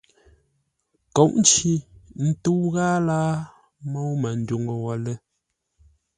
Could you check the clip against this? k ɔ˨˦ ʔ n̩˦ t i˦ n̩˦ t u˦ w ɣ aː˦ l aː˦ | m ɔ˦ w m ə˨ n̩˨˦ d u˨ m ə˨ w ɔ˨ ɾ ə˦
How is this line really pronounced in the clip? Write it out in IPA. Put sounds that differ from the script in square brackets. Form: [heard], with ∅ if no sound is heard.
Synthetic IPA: k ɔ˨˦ ʔ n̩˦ [t͡ʃ] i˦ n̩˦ t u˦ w ɣ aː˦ l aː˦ | m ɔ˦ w m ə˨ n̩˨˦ d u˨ [ŋ] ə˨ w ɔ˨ [l] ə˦